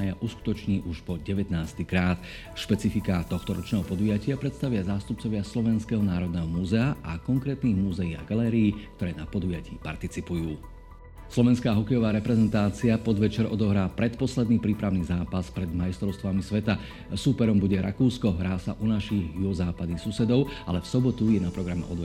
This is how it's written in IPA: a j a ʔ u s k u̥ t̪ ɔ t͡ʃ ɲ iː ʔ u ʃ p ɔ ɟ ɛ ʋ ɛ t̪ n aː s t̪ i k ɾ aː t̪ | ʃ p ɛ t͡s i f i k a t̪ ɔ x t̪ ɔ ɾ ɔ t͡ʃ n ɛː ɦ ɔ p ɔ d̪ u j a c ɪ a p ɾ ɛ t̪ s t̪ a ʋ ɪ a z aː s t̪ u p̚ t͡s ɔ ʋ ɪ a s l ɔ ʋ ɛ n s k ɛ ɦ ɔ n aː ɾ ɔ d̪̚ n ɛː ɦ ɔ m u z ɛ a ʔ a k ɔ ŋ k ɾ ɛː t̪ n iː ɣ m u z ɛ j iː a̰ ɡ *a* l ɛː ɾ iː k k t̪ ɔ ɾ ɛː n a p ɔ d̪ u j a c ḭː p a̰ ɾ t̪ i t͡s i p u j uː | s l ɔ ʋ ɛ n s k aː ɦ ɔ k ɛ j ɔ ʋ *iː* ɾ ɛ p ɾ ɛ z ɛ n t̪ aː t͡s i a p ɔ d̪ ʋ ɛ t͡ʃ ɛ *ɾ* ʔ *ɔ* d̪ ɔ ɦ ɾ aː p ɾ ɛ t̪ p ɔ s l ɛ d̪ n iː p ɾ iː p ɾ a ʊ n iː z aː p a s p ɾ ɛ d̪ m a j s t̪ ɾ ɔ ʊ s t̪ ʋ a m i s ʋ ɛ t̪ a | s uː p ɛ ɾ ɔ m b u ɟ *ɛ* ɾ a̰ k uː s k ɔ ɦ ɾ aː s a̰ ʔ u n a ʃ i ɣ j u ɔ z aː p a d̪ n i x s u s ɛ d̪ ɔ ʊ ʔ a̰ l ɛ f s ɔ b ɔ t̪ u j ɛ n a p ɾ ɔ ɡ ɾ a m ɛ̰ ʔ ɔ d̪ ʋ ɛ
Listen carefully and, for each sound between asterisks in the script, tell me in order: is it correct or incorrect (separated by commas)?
correct, incorrect, correct, correct, correct